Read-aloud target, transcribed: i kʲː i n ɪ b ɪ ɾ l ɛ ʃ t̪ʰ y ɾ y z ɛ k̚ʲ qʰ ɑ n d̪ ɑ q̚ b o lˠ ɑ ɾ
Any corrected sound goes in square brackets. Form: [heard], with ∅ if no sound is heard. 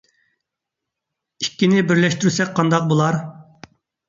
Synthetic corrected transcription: i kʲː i n ɪ b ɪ ɾ l ɛ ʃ [t̪] y ɾ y [s] ɛ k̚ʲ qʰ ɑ n d̪ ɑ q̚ b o lˠ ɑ ɾ